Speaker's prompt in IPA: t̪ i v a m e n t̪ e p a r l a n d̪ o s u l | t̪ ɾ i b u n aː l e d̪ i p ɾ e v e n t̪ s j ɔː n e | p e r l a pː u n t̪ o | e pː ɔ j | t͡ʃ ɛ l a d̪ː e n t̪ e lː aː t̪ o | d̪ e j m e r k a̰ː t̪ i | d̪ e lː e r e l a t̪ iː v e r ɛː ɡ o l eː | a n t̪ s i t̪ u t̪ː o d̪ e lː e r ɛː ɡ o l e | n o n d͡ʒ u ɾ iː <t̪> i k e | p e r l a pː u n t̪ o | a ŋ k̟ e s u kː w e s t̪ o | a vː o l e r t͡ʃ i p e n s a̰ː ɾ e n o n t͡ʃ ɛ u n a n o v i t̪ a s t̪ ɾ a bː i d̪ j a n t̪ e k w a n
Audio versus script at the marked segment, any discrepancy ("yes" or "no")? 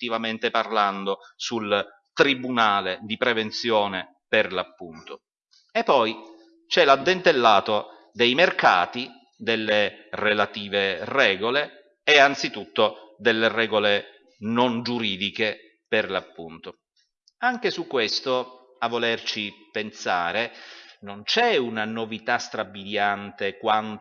yes